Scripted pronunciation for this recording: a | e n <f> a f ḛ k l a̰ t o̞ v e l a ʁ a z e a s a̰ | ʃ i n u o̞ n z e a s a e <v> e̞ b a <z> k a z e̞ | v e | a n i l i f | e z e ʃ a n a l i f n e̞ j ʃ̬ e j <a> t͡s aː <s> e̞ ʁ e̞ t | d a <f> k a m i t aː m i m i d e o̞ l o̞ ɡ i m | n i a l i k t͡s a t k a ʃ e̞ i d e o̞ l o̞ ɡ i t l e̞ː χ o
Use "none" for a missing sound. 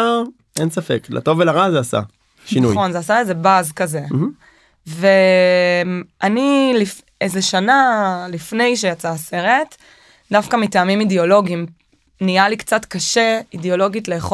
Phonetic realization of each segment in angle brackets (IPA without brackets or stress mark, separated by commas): s, z, z, a, s, f